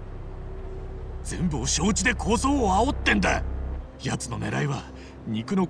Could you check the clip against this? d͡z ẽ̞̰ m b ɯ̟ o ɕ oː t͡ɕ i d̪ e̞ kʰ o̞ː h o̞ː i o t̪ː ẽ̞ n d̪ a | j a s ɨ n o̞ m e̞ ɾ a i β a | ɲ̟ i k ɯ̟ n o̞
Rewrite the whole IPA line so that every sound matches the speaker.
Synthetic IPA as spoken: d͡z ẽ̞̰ m b ɯ̟ o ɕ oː t͡ɕ i d̪ e̞ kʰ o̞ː s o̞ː a o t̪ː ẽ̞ n d̪ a | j a t͡s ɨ n o̞ n e̞ ɾ a i β a | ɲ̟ i k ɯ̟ n o̞

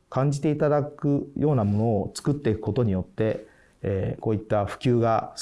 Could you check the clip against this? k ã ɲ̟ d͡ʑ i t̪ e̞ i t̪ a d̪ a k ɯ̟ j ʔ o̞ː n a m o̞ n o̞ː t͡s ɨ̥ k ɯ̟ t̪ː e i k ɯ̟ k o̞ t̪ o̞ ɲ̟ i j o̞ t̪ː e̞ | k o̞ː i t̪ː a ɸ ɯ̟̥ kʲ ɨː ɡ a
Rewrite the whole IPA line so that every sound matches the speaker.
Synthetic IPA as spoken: k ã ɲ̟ d͡ʑ i t̪ e̞ i t̪ a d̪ a k ɯ̟ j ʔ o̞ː n a m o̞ n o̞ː t͡s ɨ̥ k ɯ̟ t̪ː e i k ɯ̟ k o̞ t̪ o̞ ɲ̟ i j o̞ t̪ː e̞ | k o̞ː i t̪ː a ɸ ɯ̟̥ kʲ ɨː ɡ a

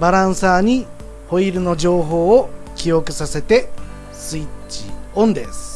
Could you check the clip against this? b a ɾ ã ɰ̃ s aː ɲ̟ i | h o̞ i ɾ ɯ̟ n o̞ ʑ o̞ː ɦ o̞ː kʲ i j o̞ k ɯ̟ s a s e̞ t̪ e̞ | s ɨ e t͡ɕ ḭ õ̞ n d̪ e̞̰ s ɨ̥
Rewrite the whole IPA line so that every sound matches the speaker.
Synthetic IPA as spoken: b a ɾ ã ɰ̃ s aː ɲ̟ i | h o̞ i ɾ ɯ̟ n o̞ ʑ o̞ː ɦ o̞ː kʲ i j o̞ k ɯ̟ s a s e̞ t̪ e̞ | s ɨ i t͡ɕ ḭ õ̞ n d̪ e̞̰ s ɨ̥

